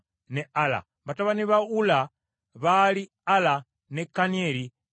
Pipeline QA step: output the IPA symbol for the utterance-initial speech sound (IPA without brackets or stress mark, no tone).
n